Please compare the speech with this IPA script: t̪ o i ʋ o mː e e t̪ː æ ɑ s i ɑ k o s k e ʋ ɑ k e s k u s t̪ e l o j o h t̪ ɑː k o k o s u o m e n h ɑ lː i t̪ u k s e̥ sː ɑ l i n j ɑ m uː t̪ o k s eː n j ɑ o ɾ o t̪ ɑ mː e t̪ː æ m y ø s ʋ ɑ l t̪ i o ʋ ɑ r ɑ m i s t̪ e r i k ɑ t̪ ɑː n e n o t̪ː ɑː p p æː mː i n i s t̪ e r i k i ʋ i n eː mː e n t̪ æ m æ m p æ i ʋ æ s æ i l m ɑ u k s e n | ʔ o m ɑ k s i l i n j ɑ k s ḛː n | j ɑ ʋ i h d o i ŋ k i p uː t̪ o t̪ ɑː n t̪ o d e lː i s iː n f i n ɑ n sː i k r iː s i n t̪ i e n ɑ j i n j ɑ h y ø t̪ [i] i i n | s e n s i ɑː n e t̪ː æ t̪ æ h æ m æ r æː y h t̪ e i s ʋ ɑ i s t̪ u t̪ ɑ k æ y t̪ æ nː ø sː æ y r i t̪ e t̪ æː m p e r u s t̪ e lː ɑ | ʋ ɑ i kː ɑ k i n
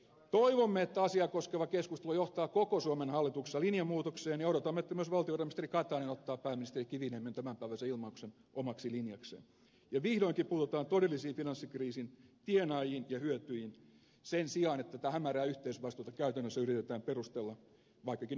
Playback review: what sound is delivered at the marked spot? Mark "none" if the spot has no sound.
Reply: y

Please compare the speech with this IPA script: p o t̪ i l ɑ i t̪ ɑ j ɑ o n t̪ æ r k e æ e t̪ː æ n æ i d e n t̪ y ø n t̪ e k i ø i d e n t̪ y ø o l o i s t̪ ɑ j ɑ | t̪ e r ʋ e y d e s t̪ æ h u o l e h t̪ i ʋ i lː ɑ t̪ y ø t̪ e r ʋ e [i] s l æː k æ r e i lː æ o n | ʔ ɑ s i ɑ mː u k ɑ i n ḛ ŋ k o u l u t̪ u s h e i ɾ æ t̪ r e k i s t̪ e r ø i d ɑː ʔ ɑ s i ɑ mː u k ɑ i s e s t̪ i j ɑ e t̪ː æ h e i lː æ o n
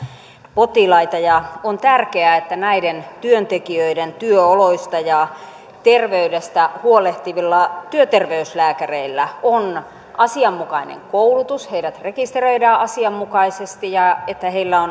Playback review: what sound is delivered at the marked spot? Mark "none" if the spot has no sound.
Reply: y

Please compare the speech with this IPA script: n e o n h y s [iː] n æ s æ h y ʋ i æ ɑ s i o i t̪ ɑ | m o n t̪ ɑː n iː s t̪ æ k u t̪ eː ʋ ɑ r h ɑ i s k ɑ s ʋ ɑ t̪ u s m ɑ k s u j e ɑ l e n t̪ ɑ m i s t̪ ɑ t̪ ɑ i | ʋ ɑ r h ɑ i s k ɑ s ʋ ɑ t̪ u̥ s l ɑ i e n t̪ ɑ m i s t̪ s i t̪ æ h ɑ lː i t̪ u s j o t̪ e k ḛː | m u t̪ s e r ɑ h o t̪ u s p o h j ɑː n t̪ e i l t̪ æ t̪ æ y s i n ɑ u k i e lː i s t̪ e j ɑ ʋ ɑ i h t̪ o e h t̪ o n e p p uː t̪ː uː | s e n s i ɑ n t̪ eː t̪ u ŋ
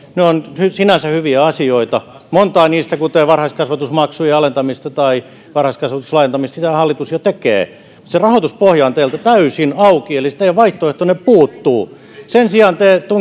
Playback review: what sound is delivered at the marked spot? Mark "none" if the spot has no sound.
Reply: i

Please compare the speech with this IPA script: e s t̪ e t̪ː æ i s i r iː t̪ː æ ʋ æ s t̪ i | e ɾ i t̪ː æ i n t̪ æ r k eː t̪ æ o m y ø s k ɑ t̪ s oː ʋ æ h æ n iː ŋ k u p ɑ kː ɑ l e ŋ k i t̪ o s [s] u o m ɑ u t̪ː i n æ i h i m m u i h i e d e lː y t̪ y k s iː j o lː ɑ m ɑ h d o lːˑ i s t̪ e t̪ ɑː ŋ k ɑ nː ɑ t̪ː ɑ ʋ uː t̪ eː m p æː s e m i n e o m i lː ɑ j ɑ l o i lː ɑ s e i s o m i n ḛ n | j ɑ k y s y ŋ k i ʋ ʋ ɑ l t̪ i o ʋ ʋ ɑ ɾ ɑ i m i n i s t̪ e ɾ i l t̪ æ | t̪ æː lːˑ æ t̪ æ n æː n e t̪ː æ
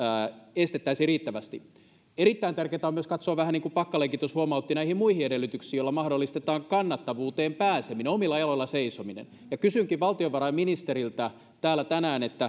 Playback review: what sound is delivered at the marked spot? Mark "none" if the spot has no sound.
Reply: h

